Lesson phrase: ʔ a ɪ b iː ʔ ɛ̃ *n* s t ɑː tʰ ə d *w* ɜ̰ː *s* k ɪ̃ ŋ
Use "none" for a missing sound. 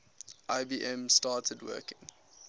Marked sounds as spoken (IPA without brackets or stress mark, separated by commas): m, w, none